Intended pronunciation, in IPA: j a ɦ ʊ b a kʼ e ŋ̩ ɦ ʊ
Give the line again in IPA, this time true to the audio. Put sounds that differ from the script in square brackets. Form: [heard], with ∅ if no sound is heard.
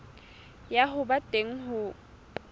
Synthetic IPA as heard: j a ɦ ʊ b a [tʼ] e ŋ̩ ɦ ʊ